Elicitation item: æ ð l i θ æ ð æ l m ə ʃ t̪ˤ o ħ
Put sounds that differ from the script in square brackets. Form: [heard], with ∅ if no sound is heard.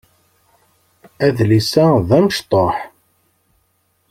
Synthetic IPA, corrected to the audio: æ ð l i [s] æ ð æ [∅] m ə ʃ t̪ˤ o ħ